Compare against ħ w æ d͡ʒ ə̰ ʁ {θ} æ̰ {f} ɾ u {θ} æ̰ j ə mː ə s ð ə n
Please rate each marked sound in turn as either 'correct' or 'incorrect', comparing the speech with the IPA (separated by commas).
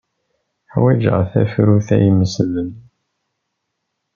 correct, correct, correct